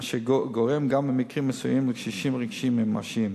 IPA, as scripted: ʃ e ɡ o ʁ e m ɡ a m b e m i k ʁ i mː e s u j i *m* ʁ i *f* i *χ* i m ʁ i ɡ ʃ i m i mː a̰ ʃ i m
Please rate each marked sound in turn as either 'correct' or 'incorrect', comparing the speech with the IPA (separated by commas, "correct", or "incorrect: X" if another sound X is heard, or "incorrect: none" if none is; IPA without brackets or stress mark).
correct, incorrect: ʃ, incorrect: ʃ